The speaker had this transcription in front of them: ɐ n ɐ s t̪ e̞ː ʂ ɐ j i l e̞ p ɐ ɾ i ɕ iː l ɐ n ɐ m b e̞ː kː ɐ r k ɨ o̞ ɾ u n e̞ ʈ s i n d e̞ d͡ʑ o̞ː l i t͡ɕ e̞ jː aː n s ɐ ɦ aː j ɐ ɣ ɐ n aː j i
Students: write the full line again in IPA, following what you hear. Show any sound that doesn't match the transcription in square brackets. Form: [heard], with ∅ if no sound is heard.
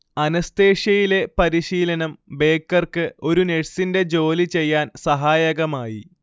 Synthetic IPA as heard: ɐ n ɐ s t̪ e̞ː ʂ ɐ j i l e̞ p ɐ ɾ i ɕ iː l ɐ n ɐ m b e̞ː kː ɐ r k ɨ o̞ ɾ u n e̞ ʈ s i n d e̞ d͡ʑ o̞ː l i t͡ɕ e̞ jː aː n s ɐ ɦ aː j ɐ ɣ ɐ [m] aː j i